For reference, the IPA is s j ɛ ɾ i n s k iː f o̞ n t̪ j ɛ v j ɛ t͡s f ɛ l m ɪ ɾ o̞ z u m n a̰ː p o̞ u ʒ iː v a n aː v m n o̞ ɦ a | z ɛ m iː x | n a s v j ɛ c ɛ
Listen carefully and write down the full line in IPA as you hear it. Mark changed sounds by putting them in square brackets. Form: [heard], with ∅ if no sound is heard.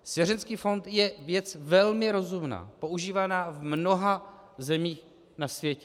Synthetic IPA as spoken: s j ɛ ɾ [ɛ] n s k iː f o̞ n t̪ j ɛ v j ɛ t͡s [v] ɛ l m ɪ ɾ o̞ z u m n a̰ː p o̞ u ʒ iː v a n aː v m n o̞ ɦ a | z ɛ m iː x | n a s v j ɛ c ɛ